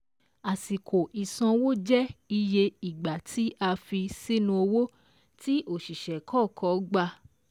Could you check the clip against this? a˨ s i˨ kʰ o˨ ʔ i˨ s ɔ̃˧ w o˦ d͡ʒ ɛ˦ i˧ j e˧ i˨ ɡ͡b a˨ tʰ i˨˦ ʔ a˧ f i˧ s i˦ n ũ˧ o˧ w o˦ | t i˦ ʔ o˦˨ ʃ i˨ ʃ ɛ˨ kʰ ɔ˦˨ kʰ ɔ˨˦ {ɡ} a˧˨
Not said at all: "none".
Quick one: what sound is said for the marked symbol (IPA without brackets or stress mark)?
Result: ɡ͡b